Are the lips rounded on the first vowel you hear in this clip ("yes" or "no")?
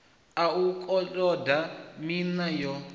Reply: no